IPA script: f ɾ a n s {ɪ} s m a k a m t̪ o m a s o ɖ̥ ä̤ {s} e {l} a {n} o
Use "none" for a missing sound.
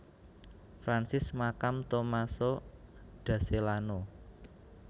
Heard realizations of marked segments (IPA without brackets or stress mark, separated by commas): ɪ, s, l, n